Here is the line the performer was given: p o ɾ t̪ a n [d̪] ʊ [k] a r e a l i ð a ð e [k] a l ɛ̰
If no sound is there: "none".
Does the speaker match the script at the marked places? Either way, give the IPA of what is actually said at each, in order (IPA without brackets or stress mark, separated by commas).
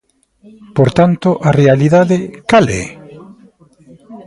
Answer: t̪, ʔ, k